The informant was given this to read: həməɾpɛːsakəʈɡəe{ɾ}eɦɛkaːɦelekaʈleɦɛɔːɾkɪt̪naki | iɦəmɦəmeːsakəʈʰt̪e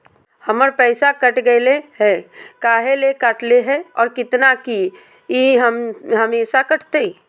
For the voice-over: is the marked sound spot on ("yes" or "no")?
no